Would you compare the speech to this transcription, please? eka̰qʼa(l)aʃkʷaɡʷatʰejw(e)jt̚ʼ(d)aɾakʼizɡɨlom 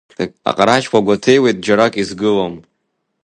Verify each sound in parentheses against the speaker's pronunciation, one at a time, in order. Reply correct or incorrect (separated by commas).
incorrect, correct, incorrect